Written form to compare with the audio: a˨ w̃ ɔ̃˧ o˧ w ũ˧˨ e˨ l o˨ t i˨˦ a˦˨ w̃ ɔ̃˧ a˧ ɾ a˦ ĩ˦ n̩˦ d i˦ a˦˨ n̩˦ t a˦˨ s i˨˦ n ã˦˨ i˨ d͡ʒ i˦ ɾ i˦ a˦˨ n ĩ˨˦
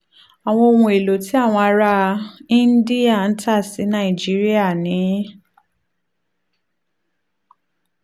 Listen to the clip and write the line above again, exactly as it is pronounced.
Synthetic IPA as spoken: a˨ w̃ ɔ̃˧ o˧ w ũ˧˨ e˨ l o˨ t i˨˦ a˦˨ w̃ ɔ̃˧ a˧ ɾ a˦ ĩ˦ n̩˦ d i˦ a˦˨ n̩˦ t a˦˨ s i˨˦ n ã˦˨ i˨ d͡ʒ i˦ ɾ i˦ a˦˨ n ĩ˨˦